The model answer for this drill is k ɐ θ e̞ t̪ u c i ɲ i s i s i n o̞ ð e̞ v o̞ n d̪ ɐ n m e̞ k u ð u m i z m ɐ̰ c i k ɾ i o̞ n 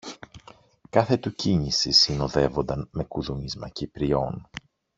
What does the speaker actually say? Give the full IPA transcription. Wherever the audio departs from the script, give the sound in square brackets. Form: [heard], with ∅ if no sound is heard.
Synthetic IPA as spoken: k ɐ θ e̞ t̪ u c i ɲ i s i s i n o̞ ð e̞ v o̞ n d̪ ɐ n m e̞ k u ð u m i z m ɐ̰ c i [p] ɾ i o̞ n